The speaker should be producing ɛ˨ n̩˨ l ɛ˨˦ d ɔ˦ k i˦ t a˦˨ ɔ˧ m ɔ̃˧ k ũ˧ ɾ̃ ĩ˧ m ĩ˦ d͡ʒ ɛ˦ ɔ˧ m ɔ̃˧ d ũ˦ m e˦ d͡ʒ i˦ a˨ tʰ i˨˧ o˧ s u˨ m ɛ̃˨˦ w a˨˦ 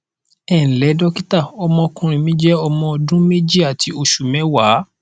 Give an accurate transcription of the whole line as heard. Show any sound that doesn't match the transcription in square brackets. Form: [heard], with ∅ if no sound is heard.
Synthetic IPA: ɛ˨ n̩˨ l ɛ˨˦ d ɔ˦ k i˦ t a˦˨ ɔ˧ m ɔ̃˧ k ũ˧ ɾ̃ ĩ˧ m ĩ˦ d͡ʒ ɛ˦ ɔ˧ m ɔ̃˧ d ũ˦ m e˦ d͡ʒ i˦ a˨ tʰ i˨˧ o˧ [ʃ] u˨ m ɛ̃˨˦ w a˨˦